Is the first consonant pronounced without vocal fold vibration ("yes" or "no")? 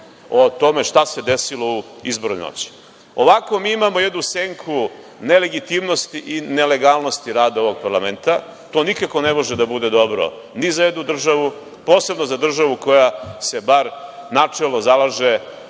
yes